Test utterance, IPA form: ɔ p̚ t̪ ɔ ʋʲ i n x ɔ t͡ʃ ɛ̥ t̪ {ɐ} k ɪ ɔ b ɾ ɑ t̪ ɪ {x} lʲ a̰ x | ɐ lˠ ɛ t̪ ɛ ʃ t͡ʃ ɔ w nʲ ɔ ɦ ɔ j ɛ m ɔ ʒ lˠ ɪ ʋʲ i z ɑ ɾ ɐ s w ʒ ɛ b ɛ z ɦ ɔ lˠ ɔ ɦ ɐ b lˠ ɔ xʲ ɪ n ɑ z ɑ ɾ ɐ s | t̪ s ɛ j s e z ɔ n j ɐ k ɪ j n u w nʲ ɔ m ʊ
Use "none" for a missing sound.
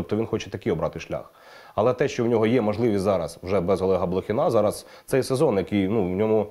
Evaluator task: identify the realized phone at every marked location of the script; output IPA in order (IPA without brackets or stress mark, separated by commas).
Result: ɐ, ʃ